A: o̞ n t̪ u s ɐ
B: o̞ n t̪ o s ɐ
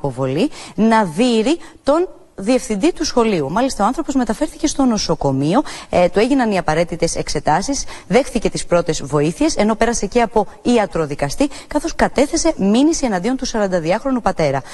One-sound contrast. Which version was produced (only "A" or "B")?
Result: A